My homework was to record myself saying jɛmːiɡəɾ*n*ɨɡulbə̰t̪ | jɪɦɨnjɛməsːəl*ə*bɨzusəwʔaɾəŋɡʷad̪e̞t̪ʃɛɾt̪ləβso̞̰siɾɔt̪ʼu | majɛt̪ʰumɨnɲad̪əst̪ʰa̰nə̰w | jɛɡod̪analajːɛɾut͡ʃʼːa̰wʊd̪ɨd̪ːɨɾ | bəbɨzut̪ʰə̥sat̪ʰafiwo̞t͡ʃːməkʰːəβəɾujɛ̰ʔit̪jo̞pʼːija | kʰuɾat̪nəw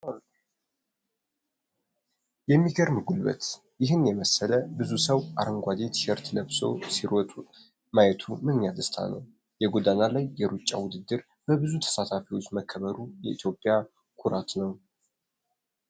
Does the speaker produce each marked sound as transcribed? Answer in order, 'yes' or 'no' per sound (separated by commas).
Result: no, yes